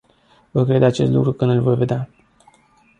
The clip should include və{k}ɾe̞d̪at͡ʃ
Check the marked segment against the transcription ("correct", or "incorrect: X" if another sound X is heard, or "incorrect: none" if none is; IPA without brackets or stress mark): correct